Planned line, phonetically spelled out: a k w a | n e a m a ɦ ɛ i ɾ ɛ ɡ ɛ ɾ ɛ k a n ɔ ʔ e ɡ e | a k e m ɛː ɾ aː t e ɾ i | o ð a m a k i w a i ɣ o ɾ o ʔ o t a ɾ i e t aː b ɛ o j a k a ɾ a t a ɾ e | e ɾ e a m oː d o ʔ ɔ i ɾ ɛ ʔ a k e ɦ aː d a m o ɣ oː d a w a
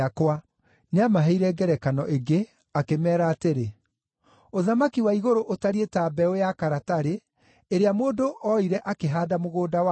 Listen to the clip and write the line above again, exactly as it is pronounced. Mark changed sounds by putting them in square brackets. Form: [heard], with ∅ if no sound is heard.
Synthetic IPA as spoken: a k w a | n e a m a ɦ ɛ i ɾ ɛ ɡ ɛ ɾ ɛ k a n ɔ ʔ e ɡ e | a k e m ɛː ɾ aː t e ɾ [e] | o ð a m a k i w a i ɣ o ɾ o ʔ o t a ɾ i e t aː b ɛ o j a k a ɾ a t a ɾ e | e ɾ e a m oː d o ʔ ɔ i ɾ ɛ ʔ a k e ɦ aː d a m o ɣ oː d a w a